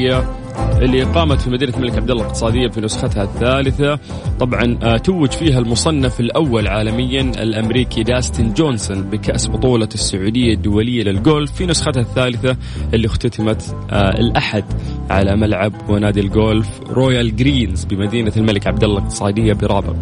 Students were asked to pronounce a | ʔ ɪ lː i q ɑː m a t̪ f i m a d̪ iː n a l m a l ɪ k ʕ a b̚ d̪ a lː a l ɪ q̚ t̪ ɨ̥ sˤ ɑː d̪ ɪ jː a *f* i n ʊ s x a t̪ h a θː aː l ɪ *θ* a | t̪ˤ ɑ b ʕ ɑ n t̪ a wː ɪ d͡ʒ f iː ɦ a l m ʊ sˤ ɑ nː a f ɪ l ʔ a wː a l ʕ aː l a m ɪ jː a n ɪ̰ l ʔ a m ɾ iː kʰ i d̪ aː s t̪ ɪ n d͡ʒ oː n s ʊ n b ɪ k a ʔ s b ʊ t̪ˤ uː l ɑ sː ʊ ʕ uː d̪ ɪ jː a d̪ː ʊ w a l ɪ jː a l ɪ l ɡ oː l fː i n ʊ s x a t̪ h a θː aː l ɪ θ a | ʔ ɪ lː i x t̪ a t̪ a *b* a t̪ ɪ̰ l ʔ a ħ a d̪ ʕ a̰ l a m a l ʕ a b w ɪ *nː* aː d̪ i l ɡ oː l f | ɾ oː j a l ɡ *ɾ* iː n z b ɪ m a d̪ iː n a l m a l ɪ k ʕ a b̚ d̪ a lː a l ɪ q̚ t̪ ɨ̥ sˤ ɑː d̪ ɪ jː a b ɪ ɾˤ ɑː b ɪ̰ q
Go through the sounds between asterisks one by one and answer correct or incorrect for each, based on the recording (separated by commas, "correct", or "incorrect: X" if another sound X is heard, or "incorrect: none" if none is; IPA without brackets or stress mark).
correct, correct, incorrect: m, incorrect: n, correct